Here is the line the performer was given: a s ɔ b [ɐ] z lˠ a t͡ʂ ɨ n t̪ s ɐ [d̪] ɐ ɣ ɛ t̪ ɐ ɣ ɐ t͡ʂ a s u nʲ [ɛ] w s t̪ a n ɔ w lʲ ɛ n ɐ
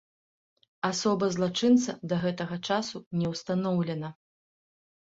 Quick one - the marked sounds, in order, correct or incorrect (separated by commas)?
correct, correct, correct